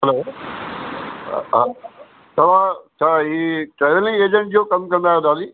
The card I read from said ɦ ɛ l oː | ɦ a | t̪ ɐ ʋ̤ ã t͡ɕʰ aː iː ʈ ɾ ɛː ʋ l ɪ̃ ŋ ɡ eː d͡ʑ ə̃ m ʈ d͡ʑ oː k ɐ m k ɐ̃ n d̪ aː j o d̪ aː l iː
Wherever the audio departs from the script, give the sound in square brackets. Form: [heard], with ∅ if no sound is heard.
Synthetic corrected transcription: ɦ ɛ l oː | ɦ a | t̪ ɐ ʋ̤ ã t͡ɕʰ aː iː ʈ ɾ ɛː ʋ l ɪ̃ ŋ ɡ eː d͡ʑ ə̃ [ɳ] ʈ d͡ʑ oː k ɐ m k ɐ̃ n d̪ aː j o d̪ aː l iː